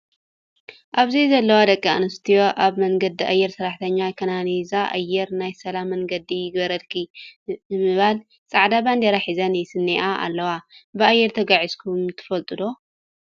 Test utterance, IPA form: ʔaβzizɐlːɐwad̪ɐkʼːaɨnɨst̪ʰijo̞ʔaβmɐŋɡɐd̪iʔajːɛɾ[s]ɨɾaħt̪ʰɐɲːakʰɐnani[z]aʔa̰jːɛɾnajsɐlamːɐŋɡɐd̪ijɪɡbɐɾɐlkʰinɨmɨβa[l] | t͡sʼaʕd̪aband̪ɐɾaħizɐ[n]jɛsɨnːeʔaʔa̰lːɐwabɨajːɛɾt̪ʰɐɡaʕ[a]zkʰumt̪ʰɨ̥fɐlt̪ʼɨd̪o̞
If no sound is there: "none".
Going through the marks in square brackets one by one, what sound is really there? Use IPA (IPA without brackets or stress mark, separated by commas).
s, z, l, n, i